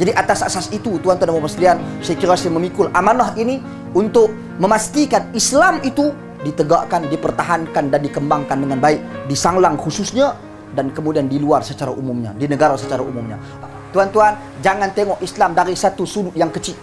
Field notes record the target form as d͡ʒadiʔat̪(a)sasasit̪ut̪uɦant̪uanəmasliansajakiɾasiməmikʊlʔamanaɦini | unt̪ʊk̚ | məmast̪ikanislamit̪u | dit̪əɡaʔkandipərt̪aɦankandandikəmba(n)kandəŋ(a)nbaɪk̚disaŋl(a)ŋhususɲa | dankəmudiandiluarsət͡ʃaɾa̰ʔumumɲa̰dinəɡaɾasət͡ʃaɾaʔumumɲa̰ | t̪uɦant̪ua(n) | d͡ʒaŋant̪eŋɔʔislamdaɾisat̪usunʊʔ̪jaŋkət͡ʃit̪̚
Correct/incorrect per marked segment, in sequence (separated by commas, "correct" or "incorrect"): correct, incorrect, correct, correct, correct